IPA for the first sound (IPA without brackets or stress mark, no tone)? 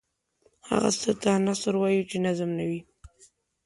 h